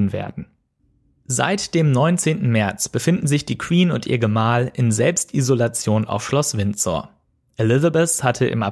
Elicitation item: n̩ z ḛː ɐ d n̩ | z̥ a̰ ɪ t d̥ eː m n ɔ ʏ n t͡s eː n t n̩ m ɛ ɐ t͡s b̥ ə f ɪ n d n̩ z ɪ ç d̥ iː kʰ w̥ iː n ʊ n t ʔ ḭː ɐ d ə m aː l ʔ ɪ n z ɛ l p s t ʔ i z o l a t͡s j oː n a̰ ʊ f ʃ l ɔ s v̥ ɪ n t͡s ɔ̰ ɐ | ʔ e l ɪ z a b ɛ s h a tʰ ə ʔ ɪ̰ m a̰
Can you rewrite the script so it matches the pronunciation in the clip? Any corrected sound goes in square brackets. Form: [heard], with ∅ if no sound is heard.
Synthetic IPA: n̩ [v] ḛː ɐ d n̩ | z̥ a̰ ɪ t d̥ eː m n ɔ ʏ n t͡s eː n t n̩ m ɛ ɐ t͡s b̥ ə f ɪ n d n̩ z ɪ ç d̥ iː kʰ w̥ iː n ʊ n t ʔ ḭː ɐ [ɡ] ə m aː l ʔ ɪ n z ɛ l p s t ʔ i z o l a t͡s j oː n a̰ ʊ f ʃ l ɔ s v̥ ɪ n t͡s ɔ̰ ɐ | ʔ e l ɪ z a b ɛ s h a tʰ ə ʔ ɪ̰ m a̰